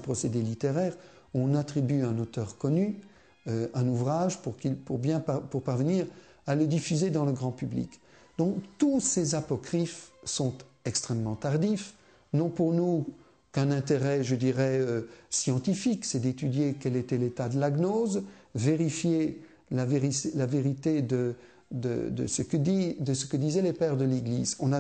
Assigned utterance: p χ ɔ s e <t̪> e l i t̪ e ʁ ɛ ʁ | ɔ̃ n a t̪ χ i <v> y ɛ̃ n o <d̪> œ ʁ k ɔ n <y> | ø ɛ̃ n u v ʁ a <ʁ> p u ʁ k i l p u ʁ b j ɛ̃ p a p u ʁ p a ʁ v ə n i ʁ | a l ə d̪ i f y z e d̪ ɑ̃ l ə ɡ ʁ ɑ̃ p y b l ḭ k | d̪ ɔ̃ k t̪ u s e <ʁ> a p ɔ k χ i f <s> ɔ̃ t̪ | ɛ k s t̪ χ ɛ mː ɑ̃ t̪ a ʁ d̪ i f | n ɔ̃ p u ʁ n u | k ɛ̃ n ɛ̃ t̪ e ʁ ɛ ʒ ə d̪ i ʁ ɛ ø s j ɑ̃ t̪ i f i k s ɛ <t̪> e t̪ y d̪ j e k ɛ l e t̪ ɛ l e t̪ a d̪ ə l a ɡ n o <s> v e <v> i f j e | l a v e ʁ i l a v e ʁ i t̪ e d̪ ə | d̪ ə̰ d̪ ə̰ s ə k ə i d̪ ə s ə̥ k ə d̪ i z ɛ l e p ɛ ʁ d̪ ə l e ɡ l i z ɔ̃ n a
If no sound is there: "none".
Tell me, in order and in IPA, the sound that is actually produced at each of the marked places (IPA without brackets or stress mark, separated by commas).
d̪, b, t̪, y, ʒ, z, s, d̪, z, ʁ